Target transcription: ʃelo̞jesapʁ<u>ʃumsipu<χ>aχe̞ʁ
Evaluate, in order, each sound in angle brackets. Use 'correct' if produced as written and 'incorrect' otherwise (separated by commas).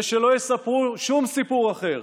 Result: correct, incorrect